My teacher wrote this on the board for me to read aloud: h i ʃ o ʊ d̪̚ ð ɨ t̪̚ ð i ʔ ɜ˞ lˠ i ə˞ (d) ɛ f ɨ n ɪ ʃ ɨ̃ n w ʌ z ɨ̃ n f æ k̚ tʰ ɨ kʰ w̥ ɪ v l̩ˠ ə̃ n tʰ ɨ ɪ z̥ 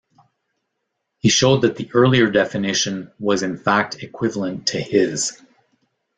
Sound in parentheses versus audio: correct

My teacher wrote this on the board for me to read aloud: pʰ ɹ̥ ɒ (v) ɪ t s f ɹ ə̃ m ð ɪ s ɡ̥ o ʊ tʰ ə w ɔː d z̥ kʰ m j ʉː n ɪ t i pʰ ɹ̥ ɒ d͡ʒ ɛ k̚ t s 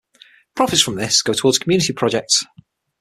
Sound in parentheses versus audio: incorrect: f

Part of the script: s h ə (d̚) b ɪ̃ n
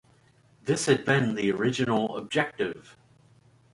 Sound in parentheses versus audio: correct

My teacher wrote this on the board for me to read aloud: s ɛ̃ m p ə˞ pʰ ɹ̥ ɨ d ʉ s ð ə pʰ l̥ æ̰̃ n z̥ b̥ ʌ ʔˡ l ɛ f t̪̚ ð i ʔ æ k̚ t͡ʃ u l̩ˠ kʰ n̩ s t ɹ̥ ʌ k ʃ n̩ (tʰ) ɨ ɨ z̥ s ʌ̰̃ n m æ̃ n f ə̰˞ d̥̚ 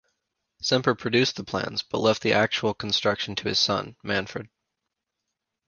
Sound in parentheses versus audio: correct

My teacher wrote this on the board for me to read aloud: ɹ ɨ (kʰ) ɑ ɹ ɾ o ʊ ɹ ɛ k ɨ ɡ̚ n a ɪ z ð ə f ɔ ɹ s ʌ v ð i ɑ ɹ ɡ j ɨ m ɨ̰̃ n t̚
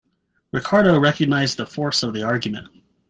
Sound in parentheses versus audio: correct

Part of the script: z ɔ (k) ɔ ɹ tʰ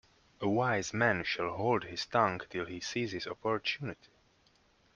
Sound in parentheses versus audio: incorrect: p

